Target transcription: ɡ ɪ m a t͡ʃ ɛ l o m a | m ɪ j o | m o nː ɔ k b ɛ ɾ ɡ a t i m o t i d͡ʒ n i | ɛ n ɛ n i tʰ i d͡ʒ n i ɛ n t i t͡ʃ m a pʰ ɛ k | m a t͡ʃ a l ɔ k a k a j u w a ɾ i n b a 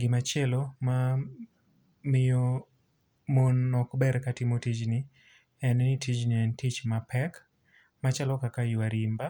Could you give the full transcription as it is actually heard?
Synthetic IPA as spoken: ɡ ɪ m a t͡ʃ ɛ l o m a | m ɪ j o | m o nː ɔ k b ɛ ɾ k a t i m o t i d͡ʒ n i | ɛ n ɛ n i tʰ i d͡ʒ n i ɛ n t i t͡ʃ m a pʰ ɛ k | m a t͡ʃ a l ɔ k a k a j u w a ɾ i m b a